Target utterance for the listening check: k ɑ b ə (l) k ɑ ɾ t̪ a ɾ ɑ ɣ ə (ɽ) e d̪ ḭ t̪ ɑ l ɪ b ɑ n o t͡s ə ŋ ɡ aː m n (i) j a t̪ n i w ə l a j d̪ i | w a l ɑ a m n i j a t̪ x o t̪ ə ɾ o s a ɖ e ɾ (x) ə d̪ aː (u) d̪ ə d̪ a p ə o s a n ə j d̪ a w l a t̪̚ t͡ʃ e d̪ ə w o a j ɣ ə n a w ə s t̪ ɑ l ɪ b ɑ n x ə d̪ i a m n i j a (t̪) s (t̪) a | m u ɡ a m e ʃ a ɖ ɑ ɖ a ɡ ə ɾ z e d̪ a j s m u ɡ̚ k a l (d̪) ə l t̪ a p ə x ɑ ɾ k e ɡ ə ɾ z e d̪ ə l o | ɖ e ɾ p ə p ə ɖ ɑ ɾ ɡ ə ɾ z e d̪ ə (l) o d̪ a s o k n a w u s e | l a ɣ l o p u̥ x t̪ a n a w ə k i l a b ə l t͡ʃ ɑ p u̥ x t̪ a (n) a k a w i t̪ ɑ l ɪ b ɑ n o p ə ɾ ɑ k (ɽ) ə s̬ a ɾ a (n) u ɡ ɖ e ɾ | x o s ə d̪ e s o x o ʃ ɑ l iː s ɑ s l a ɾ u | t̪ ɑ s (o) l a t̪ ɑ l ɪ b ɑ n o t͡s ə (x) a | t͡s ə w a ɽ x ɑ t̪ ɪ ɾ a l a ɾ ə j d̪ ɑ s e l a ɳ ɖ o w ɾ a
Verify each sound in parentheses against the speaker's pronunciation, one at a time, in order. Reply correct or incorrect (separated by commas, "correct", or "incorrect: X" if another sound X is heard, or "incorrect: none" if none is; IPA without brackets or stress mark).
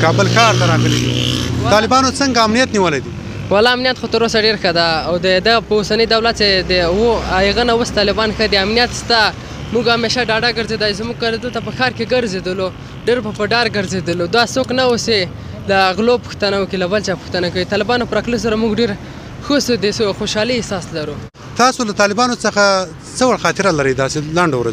correct, incorrect: l, correct, correct, incorrect: w, correct, correct, correct, correct, correct, incorrect: l, incorrect: m, correct, correct